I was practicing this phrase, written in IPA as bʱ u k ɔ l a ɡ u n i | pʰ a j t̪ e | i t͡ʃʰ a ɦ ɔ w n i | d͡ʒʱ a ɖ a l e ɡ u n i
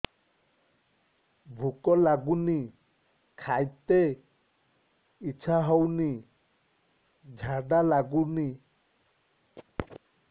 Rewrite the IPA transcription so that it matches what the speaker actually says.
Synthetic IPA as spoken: bʱ u k ɔ l a ɡ u n i | kʰ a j t̪ e | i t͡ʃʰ a ɦ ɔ w n i | d͡ʒʱ a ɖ a l a ɡ u n i